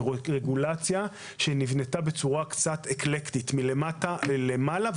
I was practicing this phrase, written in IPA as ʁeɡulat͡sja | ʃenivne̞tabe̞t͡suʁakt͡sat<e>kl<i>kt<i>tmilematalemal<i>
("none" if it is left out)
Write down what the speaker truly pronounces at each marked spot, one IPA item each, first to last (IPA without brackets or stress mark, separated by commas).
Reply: e, e, i, a